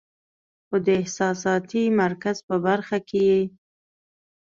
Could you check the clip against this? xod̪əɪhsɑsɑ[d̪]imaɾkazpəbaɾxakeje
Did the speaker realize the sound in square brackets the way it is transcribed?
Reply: no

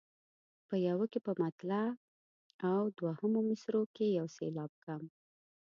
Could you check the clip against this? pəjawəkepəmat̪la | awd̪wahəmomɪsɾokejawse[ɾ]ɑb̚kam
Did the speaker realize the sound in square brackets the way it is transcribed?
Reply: no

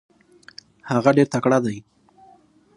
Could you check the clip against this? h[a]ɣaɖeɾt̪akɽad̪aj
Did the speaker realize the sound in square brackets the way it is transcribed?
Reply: yes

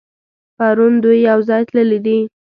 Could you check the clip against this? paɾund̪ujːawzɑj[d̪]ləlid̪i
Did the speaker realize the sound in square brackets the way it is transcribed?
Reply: no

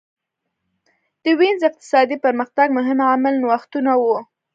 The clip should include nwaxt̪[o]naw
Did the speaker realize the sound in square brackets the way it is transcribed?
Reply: no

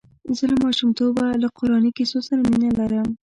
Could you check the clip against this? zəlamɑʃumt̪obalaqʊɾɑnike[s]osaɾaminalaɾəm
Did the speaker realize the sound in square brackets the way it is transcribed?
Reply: yes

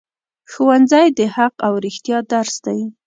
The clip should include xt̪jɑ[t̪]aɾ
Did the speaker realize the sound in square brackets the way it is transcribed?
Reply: no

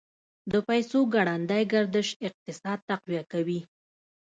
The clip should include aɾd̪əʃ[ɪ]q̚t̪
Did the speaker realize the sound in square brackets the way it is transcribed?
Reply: yes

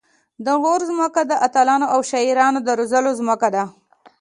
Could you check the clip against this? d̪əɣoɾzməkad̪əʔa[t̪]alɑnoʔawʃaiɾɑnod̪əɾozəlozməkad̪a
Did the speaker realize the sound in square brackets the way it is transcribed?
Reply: yes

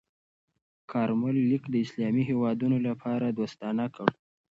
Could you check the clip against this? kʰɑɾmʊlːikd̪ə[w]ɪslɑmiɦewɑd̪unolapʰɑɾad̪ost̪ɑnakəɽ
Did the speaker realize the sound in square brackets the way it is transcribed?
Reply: no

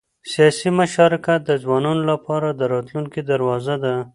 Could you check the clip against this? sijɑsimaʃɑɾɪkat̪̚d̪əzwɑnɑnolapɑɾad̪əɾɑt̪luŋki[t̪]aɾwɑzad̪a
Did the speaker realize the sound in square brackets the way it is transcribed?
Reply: no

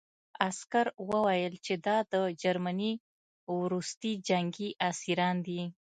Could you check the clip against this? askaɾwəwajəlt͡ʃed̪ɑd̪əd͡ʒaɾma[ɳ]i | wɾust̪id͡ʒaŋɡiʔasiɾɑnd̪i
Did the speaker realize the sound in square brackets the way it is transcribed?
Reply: no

